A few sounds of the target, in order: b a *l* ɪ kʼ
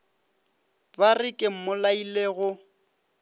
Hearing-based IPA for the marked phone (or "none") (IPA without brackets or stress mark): r